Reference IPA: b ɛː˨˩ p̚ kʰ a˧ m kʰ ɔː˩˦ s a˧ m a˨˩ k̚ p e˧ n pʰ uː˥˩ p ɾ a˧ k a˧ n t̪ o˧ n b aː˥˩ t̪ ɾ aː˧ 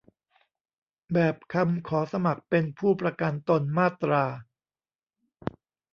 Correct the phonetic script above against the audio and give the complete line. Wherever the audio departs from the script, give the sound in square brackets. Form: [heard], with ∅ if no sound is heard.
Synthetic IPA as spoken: b ɛː˨˩ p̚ kʰ a˧ m kʰ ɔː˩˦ s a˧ m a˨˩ k̚ p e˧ n pʰ uː˥˩ p ɾ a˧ k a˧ n t̪ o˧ n [m] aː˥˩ t̪ ɾ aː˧

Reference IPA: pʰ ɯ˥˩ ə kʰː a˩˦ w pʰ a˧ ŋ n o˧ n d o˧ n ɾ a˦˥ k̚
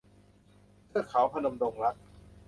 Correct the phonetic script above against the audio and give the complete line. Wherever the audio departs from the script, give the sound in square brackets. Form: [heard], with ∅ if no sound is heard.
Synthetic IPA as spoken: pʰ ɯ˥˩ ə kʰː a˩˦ w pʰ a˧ [∅] n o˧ [m] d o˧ [ŋ] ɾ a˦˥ k̚

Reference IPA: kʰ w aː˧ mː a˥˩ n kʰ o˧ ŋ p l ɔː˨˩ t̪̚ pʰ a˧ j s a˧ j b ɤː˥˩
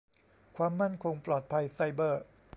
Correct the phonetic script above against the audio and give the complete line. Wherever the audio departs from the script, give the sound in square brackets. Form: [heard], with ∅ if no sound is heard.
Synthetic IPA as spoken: kʰ w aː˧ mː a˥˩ n kʰ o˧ ŋ p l ɔː˨˩ t̪̚ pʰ a˧ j s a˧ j b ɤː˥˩

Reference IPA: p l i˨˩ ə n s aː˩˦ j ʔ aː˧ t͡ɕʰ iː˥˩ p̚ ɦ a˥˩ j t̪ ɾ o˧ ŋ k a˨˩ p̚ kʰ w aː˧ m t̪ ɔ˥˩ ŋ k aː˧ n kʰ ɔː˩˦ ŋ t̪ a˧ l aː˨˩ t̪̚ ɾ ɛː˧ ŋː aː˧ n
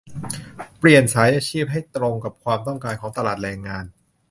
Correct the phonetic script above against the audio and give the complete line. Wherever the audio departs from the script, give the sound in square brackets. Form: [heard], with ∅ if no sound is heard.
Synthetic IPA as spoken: p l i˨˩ ə n s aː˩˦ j ʔ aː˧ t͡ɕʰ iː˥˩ p̚ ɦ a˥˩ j t̪ ɾ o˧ ŋ k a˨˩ p̚ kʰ w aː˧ m t̪ ɔ˥˩ ŋ k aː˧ n kʰ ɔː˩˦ ŋ t̪ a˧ l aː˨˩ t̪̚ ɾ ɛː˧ ŋː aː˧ n

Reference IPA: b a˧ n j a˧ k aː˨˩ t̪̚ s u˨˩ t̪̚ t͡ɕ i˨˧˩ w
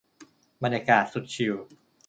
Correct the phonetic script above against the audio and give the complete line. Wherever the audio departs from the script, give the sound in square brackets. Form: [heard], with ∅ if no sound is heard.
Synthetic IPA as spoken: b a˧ n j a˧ k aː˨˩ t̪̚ s u˨˩ t̪̚ [t͡ɕʰ] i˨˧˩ w

